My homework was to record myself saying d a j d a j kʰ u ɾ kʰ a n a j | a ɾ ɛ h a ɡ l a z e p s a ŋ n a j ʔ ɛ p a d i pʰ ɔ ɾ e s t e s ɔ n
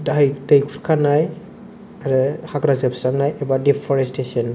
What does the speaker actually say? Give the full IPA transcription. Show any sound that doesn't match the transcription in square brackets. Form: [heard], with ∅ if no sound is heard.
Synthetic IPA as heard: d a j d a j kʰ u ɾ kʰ a n a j | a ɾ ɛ h a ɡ [ɾ] a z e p s a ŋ n a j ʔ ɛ [b] a d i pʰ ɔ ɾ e s t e s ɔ n